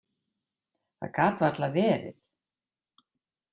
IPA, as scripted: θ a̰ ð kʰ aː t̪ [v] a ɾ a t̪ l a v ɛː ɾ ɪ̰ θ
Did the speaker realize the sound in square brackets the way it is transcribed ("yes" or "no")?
yes